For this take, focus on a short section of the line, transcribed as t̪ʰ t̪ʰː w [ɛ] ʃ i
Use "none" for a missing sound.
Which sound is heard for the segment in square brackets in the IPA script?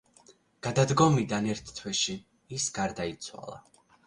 ɛ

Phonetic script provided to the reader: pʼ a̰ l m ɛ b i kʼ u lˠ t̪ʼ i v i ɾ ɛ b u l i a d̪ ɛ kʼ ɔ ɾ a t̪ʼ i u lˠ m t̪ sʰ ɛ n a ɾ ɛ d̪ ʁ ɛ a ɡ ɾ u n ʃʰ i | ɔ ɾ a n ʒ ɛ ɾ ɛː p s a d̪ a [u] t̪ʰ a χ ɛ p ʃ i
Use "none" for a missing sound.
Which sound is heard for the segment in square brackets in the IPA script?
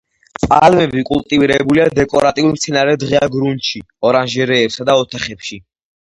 ɔ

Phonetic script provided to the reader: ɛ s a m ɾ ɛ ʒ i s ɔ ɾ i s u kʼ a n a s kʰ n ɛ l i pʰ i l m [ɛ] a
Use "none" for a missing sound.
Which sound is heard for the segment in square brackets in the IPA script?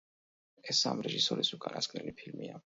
i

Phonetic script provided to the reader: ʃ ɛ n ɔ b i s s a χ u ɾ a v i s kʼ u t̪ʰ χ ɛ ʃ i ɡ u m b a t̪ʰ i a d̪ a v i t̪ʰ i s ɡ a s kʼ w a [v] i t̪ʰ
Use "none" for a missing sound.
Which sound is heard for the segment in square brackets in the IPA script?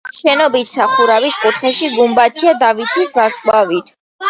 v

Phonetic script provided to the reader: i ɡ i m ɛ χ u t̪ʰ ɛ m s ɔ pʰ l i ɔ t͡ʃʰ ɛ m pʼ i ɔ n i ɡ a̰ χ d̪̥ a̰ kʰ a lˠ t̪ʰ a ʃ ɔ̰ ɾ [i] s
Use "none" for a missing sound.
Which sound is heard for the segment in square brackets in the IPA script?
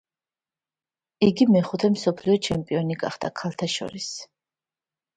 i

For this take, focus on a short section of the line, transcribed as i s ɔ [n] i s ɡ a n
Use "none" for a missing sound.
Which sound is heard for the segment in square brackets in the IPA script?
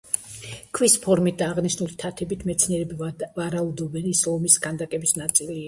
m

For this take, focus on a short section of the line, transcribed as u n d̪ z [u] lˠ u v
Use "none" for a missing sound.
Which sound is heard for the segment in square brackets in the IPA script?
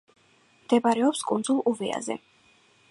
u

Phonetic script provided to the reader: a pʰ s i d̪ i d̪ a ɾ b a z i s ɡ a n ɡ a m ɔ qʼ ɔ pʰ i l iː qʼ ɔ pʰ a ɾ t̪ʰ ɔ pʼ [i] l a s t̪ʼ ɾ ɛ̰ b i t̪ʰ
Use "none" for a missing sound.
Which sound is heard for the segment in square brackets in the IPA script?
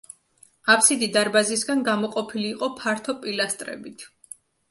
i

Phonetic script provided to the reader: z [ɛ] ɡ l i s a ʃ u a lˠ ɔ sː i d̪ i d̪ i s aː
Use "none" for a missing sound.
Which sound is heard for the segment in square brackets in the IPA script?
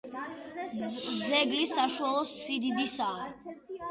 ɛ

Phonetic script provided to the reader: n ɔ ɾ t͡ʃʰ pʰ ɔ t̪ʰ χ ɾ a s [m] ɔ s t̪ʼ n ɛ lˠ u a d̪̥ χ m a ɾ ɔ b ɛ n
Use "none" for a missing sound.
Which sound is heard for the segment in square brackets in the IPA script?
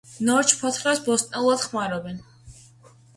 b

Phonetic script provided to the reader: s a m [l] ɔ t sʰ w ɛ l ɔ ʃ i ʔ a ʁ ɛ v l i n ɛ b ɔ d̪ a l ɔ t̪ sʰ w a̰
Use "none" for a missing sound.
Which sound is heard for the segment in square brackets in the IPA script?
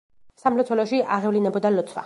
l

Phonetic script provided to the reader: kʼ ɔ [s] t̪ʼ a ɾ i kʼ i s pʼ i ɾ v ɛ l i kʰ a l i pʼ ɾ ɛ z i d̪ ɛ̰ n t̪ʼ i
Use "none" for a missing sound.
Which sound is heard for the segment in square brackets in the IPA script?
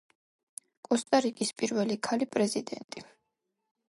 s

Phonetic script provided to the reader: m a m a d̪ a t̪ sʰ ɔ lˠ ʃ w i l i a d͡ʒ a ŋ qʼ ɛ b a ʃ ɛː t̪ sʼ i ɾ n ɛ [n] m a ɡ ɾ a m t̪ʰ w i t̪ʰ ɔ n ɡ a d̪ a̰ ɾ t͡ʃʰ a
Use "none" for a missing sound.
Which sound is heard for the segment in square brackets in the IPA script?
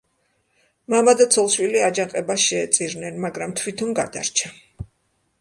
n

